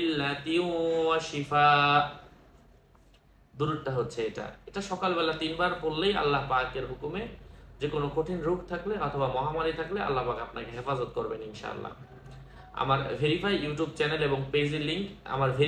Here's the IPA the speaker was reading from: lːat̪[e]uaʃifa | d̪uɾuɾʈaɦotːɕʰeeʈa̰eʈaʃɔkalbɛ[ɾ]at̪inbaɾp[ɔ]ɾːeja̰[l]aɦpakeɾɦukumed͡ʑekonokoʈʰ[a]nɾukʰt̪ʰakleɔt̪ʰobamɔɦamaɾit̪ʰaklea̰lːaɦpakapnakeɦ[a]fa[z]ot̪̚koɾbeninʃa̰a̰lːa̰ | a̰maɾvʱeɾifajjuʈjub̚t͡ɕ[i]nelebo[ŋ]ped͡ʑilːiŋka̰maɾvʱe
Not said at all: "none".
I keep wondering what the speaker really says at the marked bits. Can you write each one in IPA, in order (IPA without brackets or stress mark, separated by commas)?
i, l, o, lː, i, e, z, ɛ, ŋ